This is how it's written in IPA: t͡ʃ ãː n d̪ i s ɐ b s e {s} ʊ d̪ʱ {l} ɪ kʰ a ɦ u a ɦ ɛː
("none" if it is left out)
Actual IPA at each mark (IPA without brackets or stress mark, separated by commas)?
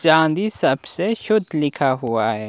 ʃ, l